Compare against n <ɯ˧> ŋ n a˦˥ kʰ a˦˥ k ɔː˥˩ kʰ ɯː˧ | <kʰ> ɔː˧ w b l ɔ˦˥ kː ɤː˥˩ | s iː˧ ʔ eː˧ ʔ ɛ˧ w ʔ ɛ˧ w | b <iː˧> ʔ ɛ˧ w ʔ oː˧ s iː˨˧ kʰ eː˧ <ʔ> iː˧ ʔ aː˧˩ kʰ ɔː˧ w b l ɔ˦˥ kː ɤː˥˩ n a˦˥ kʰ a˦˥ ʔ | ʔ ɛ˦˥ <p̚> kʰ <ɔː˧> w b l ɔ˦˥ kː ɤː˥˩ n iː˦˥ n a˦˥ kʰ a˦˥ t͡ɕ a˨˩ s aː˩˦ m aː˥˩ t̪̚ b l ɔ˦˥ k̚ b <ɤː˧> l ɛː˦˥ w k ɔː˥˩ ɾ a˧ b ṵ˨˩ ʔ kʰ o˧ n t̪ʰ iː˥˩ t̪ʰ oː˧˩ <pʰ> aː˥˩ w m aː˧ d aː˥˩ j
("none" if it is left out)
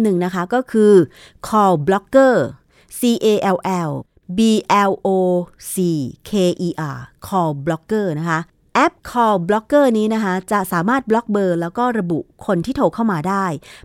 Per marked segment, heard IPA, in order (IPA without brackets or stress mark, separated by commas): ɯ˨˩, kʰ, iː˧, ʔ, p̚, ɔː˧, ɤː˧, kʰ